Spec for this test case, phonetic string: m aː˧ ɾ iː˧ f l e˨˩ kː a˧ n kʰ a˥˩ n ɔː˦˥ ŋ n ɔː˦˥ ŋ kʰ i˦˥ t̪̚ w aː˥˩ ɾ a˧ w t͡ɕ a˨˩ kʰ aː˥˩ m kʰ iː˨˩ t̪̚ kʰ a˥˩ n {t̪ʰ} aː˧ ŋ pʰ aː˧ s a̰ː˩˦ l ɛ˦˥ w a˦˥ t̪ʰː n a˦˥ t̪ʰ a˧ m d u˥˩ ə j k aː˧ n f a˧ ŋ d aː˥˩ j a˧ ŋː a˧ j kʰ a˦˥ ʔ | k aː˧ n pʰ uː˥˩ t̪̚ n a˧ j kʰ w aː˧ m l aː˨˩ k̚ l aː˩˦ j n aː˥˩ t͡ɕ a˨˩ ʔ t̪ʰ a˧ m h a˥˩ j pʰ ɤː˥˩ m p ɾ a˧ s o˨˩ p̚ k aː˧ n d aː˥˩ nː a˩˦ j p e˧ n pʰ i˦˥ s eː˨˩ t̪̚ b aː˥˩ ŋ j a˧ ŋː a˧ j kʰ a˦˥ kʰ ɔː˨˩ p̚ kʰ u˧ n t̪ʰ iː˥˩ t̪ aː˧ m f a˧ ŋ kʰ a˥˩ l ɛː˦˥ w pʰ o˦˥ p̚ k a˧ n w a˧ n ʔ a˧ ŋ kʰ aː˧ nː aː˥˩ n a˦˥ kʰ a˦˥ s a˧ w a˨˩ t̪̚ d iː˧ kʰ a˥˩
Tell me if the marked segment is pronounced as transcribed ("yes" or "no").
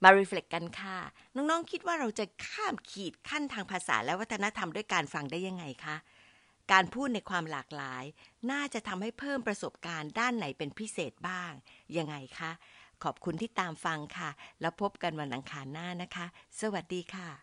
yes